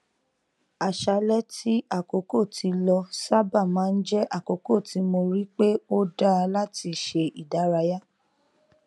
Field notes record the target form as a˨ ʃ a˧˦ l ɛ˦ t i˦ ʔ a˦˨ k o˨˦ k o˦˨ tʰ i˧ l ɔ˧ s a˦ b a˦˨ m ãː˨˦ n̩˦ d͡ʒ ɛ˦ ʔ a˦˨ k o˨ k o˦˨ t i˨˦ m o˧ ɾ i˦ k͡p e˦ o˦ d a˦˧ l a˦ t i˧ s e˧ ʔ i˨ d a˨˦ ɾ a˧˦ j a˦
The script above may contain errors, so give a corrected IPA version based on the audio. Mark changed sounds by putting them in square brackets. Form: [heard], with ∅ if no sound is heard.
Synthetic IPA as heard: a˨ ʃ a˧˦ l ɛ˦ t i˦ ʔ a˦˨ k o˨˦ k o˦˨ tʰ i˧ l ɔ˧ s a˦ b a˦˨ m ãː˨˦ n̩˦ d͡ʒ ɛ˦ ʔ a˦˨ k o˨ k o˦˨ t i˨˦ m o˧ ɾ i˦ k͡p e˦ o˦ d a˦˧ l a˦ t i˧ [ʃ] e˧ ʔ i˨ d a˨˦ ɾ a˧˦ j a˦